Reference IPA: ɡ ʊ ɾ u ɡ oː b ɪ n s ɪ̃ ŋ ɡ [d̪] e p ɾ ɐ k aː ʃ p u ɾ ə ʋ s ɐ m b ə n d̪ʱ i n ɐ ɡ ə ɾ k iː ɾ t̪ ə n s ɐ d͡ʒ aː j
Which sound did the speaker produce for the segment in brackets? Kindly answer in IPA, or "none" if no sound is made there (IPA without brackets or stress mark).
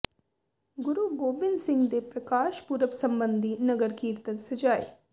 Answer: d̪